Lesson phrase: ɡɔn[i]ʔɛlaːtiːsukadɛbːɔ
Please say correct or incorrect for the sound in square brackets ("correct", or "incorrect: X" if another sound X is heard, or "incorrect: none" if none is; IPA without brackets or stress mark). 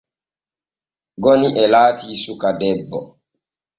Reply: correct